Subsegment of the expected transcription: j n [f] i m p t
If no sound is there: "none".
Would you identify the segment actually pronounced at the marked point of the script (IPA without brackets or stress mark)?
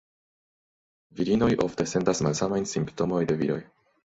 s